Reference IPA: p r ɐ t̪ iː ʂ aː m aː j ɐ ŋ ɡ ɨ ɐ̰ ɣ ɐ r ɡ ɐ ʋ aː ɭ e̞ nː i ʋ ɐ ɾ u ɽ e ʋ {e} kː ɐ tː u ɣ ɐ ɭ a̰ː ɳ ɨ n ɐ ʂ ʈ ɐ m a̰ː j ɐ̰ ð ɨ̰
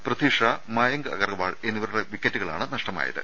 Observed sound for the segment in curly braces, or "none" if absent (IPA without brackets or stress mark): i